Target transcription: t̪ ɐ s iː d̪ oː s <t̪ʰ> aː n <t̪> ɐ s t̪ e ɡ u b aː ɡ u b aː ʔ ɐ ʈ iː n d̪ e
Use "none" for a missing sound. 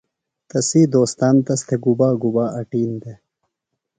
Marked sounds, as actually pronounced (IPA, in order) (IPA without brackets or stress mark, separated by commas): t̪, t̪